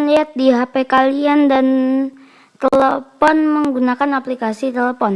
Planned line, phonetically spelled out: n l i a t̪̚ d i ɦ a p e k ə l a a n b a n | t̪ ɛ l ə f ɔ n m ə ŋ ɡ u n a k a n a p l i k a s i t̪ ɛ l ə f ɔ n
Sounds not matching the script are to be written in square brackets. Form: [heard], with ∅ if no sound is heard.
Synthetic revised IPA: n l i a t̪̚ d i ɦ a p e k [a] l [i] a n [d] a n | t̪ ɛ l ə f ɔ n m ə ŋ ɡ u n a k a n a p l i k a s i t̪ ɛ l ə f ɔ n